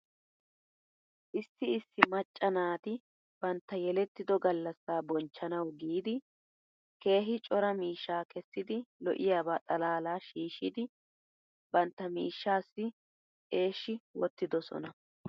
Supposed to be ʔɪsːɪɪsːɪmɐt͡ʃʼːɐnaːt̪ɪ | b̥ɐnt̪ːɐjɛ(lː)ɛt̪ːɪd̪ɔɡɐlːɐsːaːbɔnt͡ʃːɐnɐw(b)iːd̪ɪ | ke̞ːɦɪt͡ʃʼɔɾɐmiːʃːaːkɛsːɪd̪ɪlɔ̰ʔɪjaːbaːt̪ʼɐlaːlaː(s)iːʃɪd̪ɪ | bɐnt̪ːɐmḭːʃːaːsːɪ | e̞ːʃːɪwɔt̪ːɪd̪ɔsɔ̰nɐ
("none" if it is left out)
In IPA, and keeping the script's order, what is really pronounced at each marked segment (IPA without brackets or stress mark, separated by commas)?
l, ɡ, ʃ